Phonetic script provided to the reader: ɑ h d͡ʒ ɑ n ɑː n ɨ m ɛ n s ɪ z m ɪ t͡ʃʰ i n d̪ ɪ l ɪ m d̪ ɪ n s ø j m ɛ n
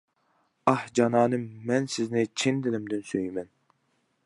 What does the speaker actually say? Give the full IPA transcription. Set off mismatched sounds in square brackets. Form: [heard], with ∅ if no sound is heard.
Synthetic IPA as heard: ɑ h d͡ʒ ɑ n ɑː n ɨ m ɛ n s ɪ z [n] ɪ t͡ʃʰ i n d̪ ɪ l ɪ m d̪ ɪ n s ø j m ɛ n